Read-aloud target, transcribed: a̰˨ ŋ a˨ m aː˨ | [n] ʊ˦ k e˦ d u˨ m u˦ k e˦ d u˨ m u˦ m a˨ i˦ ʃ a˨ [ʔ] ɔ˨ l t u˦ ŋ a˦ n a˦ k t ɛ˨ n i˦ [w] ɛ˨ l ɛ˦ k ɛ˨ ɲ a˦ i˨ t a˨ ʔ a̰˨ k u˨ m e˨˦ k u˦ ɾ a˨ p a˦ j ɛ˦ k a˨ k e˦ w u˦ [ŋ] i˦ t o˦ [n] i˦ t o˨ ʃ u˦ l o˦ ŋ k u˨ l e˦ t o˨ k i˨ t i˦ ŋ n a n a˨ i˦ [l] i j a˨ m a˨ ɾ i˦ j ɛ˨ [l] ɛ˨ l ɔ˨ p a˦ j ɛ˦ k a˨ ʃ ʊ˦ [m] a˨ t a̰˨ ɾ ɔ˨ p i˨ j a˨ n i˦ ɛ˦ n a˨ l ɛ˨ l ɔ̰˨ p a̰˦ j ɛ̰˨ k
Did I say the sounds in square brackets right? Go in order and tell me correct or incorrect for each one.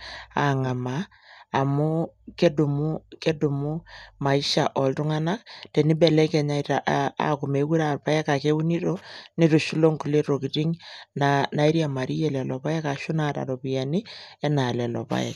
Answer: incorrect: m, correct, incorrect: b, incorrect: n, correct, incorrect: ɾ, correct, incorrect: n

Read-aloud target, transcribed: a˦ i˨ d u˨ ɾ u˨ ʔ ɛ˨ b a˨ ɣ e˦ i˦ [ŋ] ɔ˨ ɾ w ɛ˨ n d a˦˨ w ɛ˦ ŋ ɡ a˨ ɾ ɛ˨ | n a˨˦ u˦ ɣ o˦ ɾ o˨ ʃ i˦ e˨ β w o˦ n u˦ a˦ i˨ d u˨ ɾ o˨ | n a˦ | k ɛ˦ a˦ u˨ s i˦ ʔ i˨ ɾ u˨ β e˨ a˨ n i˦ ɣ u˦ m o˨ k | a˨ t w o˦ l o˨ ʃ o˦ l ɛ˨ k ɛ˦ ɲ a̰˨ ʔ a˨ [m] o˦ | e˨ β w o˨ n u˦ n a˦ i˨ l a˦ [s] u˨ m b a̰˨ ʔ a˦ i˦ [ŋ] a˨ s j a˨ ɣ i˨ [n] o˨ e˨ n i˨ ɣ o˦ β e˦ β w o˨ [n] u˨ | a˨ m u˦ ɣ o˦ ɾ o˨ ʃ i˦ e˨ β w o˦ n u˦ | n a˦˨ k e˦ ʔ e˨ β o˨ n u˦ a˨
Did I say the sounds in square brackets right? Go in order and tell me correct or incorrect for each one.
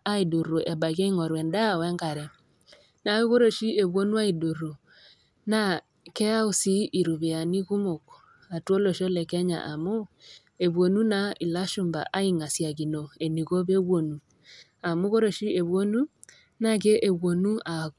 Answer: correct, correct, incorrect: ʃ, correct, correct, correct

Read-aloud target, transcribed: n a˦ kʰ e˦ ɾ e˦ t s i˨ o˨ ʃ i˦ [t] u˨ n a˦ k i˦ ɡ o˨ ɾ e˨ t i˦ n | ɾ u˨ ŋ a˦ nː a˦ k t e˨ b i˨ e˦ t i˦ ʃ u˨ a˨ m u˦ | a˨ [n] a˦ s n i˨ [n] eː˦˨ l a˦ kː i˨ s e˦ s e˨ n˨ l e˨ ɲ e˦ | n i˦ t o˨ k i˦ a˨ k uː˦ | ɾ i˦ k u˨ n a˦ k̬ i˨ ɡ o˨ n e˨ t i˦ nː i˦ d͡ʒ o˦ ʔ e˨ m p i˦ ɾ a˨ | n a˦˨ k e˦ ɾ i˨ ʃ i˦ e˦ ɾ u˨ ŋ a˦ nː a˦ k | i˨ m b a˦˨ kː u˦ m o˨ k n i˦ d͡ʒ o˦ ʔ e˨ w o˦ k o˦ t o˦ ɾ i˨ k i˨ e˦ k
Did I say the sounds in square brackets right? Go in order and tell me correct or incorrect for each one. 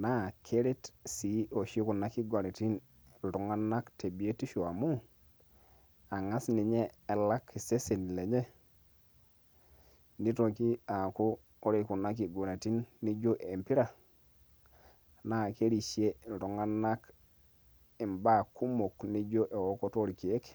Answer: incorrect: k, incorrect: ŋ, incorrect: ɲ

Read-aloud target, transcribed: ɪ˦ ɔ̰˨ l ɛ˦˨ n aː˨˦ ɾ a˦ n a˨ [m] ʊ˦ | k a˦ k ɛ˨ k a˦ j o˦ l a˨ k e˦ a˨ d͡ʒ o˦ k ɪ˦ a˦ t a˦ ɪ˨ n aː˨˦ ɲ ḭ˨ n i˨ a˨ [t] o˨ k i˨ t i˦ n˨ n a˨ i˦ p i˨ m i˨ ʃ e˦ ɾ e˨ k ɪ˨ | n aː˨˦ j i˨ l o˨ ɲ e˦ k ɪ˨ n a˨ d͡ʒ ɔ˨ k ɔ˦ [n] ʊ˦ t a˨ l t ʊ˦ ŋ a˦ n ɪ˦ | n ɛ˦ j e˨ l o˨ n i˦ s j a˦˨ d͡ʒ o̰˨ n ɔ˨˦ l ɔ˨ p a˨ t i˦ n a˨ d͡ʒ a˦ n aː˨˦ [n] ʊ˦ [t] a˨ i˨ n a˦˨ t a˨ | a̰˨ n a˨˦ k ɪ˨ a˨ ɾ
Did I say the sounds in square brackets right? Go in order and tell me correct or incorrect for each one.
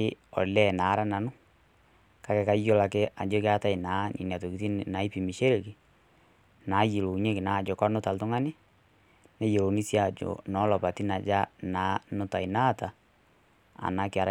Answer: incorrect: n, correct, correct, correct, correct

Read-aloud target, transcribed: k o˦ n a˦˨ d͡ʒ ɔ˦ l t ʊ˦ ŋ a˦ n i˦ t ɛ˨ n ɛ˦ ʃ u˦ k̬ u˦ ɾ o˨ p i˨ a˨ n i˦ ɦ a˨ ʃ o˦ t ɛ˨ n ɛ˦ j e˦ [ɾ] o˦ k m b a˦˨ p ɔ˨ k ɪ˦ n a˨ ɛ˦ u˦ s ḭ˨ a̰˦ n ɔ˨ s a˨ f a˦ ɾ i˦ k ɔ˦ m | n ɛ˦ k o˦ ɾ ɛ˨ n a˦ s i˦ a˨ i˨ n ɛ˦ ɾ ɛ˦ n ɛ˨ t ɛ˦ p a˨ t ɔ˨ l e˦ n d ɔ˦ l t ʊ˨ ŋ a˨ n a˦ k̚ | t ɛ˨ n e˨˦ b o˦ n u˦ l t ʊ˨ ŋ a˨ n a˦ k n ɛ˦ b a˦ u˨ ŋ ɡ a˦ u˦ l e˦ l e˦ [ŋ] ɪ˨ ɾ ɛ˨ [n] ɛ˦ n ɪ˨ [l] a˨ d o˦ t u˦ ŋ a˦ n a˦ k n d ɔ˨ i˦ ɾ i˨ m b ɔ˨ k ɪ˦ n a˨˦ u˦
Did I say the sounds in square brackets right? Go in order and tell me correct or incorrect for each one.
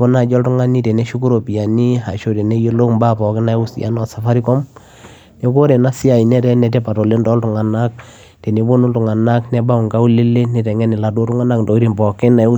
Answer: incorrect: l, incorrect: n, incorrect: ŋ, correct

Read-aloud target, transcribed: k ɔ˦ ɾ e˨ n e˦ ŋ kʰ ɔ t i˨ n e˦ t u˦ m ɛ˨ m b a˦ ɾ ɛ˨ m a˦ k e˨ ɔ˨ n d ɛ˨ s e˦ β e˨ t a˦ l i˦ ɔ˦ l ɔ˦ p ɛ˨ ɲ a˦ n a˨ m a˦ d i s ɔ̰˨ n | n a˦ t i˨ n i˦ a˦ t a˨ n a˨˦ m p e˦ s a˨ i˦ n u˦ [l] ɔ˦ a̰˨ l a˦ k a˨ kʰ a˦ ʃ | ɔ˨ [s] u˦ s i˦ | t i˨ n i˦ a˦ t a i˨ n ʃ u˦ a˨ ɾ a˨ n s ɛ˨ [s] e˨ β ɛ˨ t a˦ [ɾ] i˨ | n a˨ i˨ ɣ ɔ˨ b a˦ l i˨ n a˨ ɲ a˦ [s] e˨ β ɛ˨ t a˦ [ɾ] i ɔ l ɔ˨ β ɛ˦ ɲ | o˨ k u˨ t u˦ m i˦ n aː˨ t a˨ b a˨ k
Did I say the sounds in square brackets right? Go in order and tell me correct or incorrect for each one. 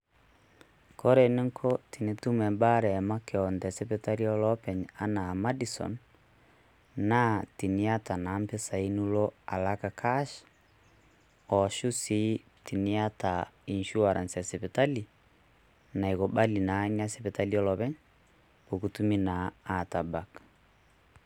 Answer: correct, incorrect: ʃ, correct, incorrect: l, correct, incorrect: l

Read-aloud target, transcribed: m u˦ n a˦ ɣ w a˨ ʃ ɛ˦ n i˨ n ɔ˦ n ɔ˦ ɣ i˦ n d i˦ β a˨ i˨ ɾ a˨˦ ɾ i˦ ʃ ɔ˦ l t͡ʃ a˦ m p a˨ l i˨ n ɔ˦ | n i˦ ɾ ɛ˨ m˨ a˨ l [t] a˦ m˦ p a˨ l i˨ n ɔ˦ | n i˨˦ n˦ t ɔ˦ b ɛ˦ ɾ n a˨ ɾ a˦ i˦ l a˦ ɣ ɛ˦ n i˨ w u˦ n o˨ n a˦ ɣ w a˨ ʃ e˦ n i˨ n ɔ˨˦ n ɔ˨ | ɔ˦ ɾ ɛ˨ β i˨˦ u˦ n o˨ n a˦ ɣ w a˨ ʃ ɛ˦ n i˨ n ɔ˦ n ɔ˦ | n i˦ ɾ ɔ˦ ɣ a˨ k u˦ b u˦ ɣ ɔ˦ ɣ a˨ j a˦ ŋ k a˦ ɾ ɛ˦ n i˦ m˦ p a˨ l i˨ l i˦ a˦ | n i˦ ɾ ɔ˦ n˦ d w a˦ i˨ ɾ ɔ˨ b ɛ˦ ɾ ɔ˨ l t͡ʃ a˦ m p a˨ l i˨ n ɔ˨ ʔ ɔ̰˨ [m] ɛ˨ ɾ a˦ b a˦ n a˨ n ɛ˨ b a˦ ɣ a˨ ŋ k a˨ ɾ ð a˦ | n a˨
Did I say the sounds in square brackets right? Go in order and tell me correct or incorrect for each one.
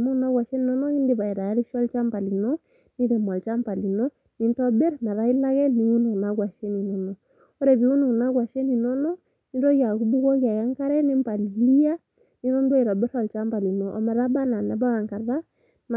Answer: incorrect: t͡ʃ, correct

